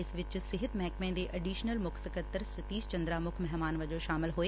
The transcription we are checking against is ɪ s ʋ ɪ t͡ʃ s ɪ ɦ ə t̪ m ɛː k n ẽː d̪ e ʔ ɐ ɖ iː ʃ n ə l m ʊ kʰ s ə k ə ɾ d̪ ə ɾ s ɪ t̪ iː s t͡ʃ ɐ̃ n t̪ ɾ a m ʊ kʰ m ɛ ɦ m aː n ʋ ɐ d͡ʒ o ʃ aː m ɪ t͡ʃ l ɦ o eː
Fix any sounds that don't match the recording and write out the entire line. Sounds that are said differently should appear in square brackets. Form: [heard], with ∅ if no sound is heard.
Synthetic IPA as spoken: ɪ s ʋ ɪ t͡ʃ s ɪ ɦ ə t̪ m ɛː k [m] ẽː d̪ e ʔ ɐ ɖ iː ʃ n ə l m ʊ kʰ s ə k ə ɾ [t̪] ə ɾ s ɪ t̪ iː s t͡ʃ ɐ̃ n [d̪] ɾ a m ʊ kʰ m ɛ ɦ m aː n ʋ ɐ d͡ʒ o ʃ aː m ɪ [∅] l ɦ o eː

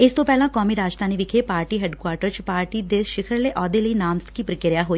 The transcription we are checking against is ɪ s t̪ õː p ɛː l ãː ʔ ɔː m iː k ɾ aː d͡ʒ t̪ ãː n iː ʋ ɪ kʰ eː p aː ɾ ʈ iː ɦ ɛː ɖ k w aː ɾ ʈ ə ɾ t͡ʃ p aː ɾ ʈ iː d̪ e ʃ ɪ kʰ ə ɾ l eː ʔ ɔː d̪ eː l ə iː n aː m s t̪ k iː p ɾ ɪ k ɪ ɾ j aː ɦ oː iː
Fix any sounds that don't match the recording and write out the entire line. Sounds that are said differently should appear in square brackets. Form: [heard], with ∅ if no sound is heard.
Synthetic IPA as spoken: ɪ s t̪ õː p ɛː l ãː [k] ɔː m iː [∅] ɾ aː d͡ʒ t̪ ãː n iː ʋ ɪ kʰ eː p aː ɾ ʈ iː ɦ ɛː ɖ k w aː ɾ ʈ ə ɾ t͡ʃ p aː ɾ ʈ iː d̪ e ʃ ɪ kʰ ə ɾ l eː ʔ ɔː d̪ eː l ə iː n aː m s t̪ k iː p ɾ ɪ k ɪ ɾ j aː ɦ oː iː

